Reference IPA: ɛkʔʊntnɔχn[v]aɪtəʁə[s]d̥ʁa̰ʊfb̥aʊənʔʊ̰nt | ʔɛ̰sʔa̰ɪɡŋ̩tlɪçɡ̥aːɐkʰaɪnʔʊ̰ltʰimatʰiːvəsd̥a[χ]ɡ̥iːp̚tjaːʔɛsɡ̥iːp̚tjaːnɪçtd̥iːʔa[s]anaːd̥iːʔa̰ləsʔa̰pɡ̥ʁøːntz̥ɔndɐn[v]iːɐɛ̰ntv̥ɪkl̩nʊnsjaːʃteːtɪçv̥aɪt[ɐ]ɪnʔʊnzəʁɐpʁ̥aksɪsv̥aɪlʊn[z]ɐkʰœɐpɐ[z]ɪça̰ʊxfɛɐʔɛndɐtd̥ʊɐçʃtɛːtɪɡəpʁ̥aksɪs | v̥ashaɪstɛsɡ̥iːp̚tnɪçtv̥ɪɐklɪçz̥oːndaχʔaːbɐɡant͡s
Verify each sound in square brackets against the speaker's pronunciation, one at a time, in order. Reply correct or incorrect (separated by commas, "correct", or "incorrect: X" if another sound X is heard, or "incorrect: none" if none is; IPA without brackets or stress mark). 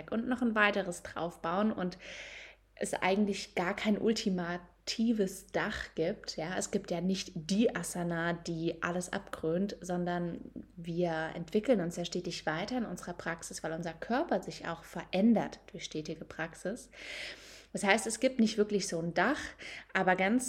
correct, correct, correct, correct, correct, correct, correct, correct